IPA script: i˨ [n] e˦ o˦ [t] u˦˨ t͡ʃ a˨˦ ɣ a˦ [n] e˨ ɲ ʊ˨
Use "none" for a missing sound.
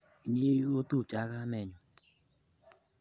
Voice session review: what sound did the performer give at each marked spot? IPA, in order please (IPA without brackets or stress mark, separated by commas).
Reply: ɲ, t, m